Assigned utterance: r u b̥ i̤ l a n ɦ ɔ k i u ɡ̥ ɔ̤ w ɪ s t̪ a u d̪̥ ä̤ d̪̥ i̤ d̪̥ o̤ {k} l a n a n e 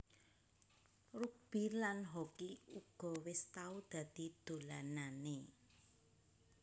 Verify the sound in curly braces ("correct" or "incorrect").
incorrect